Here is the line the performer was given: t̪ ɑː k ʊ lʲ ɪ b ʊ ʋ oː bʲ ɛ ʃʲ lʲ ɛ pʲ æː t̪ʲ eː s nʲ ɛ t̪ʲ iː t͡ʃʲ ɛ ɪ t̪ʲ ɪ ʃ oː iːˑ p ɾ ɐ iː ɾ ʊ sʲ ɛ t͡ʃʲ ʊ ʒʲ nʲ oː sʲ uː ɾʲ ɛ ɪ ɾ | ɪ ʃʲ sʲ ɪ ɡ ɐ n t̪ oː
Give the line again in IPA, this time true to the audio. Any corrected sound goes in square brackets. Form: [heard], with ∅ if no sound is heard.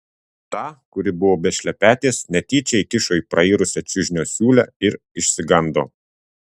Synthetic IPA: t̪ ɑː k ʊ [ɾʲ] ɪ b ʊ ʋ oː bʲ ɛ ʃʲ lʲ ɛ pʲ æː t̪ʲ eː s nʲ ɛ t̪ʲ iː t͡ʃʲ ɛ ɪ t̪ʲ ɪ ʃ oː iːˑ p ɾ ɐ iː ɾ ʊ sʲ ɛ t͡ʃʲ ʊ ʒʲ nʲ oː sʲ uː [lʲ] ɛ ɪ ɾ | ɪ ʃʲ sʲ ɪ ɡ ɐ n [d̪] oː